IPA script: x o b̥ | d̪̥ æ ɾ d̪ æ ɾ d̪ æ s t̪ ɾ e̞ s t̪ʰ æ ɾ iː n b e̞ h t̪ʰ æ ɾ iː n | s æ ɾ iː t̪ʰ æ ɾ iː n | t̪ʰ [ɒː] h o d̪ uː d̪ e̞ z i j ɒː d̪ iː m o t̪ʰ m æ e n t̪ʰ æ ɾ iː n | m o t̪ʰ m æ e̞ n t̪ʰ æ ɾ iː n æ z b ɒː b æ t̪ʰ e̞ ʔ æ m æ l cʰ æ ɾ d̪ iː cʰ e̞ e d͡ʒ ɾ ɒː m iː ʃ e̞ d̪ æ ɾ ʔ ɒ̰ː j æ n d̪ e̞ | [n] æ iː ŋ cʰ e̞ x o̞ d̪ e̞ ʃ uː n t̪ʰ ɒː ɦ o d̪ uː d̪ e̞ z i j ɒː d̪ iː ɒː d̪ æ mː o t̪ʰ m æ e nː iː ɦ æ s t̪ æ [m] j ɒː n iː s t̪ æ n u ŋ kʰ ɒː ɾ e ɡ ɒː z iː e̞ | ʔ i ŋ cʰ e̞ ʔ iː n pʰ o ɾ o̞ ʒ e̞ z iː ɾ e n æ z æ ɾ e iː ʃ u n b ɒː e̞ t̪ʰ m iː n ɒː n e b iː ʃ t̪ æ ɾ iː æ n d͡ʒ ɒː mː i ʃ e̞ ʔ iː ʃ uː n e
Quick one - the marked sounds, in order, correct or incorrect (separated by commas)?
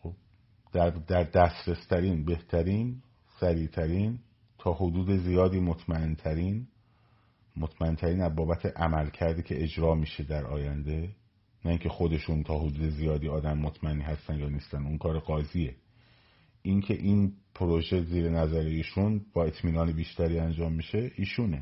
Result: correct, correct, incorrect